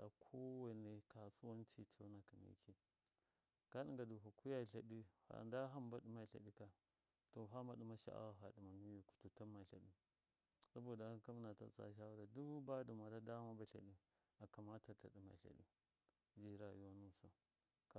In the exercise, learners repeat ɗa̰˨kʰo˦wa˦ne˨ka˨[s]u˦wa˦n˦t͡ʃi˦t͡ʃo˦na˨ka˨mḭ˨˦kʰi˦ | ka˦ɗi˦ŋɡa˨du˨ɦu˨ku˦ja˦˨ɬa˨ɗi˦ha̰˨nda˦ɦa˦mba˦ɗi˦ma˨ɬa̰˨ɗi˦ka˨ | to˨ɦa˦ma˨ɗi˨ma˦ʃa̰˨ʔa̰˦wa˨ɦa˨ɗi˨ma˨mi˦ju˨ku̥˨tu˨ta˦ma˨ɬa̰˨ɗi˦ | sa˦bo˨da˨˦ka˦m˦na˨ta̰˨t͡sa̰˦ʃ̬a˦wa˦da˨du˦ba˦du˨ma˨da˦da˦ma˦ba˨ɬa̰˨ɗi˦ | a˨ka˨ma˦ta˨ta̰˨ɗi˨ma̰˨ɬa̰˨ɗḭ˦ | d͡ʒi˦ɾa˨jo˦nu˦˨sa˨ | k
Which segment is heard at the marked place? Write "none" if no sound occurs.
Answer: s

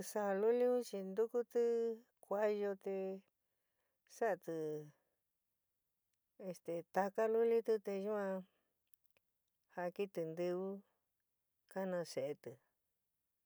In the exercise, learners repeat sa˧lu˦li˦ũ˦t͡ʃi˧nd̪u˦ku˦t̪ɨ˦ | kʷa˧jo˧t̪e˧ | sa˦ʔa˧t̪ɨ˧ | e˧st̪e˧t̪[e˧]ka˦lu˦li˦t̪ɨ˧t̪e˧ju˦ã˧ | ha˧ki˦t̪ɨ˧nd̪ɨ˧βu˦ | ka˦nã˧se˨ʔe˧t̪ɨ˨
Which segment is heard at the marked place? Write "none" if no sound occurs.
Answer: a˧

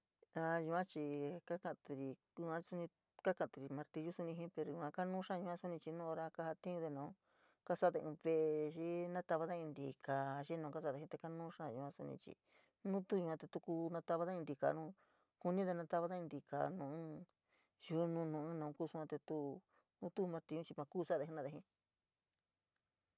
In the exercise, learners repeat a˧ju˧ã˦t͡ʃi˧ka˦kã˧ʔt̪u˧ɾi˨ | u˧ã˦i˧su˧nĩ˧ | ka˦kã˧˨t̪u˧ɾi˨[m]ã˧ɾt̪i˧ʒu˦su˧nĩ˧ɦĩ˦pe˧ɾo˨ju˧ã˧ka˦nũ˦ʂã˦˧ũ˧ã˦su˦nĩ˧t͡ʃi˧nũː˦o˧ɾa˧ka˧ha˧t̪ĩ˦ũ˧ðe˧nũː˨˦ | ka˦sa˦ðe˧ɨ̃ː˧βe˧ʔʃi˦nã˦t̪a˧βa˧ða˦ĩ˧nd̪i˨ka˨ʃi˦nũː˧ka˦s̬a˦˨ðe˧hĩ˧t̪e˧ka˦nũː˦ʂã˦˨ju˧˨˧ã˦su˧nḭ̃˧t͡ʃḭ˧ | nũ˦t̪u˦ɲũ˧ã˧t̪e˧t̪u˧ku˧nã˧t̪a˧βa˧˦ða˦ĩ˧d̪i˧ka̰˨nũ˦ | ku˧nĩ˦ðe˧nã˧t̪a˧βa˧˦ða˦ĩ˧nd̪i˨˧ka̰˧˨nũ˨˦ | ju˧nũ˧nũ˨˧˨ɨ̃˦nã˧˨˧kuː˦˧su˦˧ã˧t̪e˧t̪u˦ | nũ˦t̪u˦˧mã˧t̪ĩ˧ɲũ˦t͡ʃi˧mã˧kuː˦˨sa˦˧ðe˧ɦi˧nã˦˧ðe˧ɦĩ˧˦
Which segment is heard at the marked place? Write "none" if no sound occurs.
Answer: m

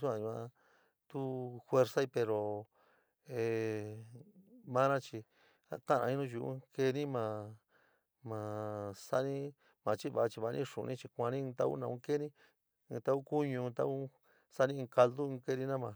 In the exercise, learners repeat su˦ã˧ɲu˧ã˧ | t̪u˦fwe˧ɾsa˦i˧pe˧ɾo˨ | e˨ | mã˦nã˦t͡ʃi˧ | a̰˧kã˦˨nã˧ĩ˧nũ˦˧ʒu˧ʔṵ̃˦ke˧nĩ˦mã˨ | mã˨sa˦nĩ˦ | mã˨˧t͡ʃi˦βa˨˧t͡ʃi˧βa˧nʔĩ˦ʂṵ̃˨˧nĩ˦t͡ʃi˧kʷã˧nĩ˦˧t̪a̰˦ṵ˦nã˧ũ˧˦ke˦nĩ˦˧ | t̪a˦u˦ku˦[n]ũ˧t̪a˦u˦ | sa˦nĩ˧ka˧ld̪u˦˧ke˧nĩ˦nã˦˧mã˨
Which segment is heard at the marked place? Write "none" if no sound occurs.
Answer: ɲ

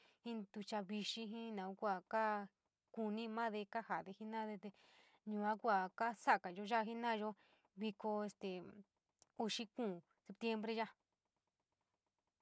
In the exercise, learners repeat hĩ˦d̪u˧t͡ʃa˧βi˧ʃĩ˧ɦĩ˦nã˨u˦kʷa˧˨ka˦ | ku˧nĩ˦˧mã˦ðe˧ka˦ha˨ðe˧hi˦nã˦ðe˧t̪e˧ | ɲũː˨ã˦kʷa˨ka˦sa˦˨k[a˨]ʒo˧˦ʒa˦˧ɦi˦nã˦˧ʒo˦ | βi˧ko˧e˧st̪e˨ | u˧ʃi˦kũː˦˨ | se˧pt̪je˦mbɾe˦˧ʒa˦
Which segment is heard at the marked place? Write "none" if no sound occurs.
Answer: a˨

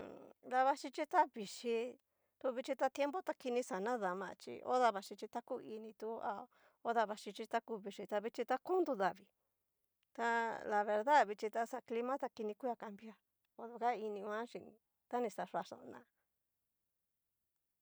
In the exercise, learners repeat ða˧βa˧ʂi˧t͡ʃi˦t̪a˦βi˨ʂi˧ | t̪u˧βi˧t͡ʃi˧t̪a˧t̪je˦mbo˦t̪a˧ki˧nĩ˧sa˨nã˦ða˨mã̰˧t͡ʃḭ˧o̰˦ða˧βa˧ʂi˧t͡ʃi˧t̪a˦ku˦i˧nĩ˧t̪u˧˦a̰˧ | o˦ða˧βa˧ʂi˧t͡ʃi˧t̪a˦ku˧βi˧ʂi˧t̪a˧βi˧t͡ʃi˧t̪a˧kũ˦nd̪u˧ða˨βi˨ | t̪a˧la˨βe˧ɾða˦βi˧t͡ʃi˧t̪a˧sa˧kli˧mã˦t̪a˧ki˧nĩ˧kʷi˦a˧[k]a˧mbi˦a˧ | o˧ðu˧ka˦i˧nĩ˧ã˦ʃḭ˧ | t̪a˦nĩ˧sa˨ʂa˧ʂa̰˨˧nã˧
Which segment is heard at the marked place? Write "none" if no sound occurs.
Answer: k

